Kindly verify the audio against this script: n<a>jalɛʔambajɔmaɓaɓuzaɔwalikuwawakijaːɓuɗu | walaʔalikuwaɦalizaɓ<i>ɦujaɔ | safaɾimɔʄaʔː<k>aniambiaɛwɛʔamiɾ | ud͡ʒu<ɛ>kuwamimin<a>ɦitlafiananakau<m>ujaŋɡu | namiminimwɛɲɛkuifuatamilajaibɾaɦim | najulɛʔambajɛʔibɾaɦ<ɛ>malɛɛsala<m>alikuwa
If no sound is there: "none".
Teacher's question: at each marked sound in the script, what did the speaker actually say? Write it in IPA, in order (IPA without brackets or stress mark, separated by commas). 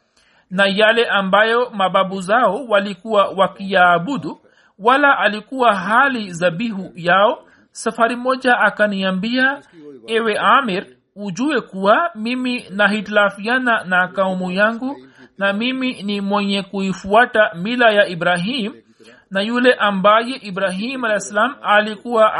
a, i, k, ɛ, a, m, i, m